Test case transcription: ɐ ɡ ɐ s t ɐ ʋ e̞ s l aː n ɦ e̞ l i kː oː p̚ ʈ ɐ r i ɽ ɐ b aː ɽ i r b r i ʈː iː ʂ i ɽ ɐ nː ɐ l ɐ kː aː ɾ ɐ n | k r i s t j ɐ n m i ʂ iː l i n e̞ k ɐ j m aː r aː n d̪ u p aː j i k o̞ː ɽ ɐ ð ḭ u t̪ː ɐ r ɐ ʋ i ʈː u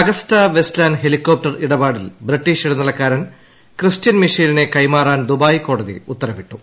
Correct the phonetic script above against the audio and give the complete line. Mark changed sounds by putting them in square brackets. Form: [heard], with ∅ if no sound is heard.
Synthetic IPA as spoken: ɐ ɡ ɐ s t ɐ ʋ e̞ s l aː n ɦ e̞ l i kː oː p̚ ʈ ɐ r i ɽ ɐ b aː ɽ i [l] b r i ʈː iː ʂ i ɽ ɐ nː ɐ l ɐ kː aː ɾ ɐ n | k r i s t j ɐ n m i ʂ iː l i n e̞ k ɐ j m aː r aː n d̪ u [b] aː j i k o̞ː ɽ ɐ ð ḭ u t̪ː ɐ r ɐ ʋ i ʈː u